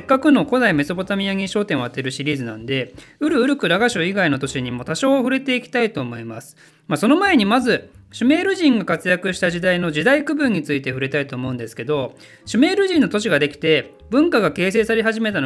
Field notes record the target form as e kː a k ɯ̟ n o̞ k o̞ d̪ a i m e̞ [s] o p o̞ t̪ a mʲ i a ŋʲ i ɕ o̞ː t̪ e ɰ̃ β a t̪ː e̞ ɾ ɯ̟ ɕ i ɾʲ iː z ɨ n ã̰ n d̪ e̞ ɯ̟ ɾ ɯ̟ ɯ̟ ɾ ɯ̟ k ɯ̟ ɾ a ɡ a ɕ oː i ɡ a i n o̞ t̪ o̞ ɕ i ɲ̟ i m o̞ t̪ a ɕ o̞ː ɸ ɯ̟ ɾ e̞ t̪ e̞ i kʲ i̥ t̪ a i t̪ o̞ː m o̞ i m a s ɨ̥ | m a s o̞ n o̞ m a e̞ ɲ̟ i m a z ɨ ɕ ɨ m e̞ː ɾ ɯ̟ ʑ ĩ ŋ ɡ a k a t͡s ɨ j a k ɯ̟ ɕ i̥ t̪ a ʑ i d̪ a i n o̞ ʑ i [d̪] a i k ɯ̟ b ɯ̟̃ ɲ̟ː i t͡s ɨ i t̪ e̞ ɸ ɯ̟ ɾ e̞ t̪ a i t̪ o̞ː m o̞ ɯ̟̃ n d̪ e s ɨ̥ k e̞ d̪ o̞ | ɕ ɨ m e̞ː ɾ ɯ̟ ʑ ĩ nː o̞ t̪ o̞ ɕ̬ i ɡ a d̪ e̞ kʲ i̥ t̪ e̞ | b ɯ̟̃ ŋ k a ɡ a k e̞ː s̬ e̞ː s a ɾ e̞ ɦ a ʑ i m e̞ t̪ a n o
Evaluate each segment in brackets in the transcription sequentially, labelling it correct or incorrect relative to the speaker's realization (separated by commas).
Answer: correct, correct